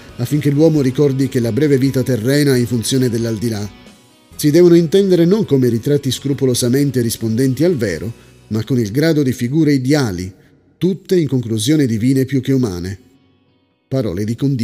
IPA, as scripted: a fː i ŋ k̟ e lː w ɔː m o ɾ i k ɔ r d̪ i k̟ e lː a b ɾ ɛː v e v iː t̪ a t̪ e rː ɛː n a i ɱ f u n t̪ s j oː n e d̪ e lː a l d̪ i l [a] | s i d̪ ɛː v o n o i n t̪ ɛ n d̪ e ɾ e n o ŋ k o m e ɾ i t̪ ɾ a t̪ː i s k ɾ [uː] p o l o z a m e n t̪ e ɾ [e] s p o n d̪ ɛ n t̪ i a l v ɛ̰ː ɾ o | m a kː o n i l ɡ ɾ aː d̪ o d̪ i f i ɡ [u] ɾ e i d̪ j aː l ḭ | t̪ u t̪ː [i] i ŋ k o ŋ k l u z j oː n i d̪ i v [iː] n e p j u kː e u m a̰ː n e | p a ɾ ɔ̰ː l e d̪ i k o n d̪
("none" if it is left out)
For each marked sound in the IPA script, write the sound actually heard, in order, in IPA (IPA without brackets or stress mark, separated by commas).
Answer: a, u, i, uː, e, iː